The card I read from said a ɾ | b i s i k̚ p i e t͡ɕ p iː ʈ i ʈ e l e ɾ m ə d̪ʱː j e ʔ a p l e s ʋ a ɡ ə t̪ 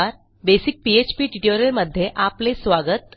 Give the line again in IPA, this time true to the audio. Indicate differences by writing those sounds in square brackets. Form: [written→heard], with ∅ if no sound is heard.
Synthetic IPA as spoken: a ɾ | b [i→e] s i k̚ p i e t͡ɕ p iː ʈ i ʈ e [l→ɾ] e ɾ m ə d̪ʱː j e ʔ a p l e s ʋ a ɡ ə t̪